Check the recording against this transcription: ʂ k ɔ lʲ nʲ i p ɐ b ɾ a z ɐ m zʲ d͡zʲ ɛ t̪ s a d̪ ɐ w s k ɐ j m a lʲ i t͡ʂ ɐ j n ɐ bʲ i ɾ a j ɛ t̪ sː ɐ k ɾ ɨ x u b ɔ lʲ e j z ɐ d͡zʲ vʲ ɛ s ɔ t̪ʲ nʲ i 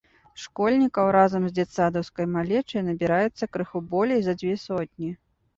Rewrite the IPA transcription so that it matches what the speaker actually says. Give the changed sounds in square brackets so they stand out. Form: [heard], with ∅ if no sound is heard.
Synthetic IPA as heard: ʂ k ɔ lʲ nʲ i [k] ɐ [w] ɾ a z ɐ m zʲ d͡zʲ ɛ t̪ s a d̪ ɐ w s k ɐ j m a lʲ [ɛ] t͡ʂ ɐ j n ɐ bʲ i ɾ a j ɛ t̪ sː ɐ k ɾ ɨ x u b ɔ lʲ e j z ɐ d͡zʲ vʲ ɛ s ɔ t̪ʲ nʲ i